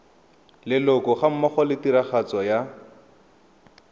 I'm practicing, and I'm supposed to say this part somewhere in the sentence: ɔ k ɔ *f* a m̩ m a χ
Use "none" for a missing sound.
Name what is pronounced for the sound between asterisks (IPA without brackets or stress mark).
χ